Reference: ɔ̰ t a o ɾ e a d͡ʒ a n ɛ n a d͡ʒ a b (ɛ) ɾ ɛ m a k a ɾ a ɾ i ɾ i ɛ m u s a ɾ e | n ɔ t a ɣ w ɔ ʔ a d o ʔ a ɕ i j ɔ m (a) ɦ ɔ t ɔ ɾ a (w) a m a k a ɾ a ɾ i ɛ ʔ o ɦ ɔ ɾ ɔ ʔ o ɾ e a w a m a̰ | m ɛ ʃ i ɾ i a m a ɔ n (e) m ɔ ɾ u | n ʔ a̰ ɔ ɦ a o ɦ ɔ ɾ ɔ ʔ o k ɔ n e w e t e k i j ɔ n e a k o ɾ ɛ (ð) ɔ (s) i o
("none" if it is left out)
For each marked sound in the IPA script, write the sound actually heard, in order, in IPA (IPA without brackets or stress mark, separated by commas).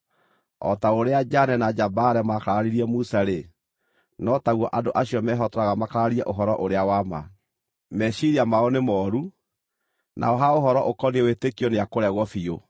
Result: a, ɛ, ɣ, e, ɣ, f